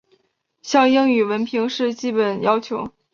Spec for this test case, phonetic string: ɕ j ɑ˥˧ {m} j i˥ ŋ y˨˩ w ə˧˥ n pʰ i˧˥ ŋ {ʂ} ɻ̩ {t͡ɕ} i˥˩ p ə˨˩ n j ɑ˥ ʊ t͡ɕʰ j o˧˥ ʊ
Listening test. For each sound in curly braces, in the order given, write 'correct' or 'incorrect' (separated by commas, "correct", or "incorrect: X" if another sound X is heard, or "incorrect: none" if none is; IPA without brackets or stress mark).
incorrect: ŋ, correct, correct